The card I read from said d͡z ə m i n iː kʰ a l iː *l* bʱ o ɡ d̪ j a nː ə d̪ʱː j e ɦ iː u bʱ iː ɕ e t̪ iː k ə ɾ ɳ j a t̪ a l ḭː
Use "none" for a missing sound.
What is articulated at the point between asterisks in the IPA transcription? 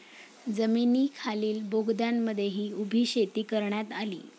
l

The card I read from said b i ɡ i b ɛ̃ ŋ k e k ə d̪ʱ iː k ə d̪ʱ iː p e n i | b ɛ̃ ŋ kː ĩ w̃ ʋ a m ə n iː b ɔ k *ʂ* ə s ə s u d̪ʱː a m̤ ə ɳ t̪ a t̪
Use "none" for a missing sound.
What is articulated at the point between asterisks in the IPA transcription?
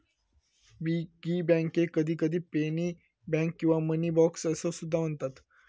s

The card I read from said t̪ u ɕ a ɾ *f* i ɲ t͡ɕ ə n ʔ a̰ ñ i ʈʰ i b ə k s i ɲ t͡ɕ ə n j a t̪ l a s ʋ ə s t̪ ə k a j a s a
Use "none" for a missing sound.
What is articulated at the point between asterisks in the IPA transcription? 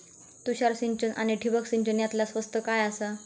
s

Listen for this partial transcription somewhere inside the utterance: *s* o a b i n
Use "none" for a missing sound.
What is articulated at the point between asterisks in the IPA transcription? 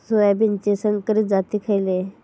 s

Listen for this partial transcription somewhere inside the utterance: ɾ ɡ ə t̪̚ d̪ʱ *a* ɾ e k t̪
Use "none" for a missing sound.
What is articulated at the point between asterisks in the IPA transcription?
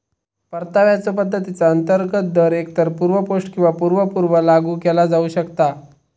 ə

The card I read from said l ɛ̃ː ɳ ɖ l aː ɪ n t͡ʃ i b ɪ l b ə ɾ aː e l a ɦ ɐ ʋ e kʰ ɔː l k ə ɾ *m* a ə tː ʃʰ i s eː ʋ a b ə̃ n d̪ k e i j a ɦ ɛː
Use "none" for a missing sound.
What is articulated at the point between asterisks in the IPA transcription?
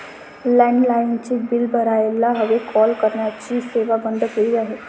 n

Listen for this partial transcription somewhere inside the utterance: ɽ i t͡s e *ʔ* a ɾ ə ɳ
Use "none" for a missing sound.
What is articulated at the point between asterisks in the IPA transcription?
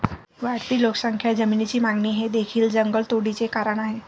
k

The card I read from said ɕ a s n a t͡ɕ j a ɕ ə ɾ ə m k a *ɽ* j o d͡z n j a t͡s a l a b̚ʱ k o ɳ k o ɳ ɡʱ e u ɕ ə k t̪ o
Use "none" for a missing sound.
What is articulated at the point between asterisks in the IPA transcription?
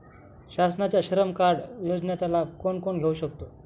ɽ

